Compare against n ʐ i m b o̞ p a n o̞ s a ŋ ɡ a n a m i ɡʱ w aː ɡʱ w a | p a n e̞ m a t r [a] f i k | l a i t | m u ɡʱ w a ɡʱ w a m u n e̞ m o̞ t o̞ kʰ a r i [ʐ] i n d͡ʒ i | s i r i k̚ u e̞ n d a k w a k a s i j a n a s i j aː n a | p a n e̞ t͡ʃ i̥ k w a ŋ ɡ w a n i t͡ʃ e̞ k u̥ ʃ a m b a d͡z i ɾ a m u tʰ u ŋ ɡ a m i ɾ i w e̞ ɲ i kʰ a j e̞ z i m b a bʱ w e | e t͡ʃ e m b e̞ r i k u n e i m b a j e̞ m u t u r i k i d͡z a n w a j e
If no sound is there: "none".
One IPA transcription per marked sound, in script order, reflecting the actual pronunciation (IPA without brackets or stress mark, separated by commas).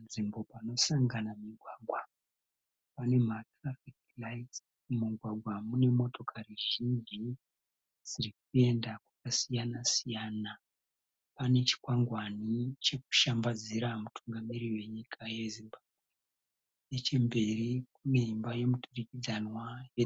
a, ʒ